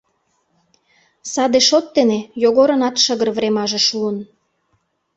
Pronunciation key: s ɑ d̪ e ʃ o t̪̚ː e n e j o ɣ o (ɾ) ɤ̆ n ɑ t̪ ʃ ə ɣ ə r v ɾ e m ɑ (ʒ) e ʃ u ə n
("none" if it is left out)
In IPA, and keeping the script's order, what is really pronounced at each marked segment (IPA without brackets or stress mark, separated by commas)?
ɾ, ʒ